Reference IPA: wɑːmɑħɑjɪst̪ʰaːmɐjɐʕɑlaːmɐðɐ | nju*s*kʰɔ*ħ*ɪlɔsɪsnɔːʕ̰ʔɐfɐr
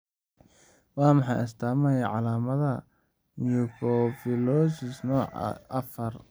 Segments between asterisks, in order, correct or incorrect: incorrect, incorrect

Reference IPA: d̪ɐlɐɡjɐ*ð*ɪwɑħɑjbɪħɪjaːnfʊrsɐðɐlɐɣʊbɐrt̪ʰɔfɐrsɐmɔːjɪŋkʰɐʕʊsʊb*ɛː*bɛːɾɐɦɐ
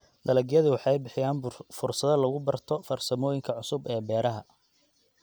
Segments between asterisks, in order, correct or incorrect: correct, correct

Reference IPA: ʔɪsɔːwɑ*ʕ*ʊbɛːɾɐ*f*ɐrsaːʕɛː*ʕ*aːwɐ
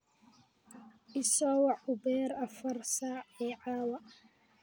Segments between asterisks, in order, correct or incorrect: correct, correct, correct

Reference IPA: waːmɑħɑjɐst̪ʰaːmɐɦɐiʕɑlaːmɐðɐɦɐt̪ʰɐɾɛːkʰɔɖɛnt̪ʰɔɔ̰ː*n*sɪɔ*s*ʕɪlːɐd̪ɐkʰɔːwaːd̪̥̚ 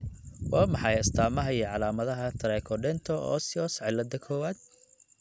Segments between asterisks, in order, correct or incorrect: incorrect, correct

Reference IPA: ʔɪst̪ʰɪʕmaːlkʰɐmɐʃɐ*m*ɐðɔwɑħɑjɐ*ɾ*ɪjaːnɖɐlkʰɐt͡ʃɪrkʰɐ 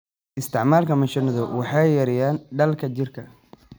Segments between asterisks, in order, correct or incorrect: incorrect, correct

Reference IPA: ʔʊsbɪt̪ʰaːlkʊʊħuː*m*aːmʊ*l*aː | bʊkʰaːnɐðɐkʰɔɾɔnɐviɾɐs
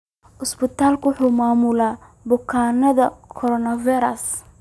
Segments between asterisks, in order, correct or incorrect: correct, correct

